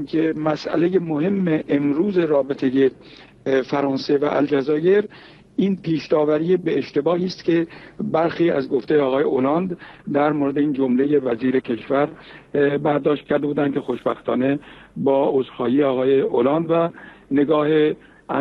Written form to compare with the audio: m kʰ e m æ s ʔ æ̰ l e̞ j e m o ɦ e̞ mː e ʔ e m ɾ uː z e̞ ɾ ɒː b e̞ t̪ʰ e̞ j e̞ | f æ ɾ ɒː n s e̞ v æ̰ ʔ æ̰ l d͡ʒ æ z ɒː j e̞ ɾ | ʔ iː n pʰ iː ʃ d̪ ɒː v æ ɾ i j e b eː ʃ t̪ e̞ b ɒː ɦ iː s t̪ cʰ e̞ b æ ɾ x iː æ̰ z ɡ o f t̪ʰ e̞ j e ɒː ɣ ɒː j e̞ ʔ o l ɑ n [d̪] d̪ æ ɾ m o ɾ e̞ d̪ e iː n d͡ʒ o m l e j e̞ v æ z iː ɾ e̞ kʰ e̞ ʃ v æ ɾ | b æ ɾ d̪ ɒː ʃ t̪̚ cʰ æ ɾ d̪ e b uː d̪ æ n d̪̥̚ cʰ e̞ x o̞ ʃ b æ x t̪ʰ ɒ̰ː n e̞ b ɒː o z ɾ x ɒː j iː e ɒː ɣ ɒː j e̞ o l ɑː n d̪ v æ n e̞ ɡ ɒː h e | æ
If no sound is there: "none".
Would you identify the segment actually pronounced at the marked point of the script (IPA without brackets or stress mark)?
d̪